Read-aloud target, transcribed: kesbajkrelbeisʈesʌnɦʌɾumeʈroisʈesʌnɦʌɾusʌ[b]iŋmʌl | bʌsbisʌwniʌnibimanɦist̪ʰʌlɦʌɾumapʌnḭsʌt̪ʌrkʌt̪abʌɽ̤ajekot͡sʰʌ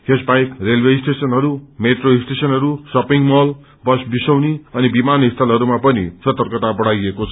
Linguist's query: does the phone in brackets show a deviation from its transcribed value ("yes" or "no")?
yes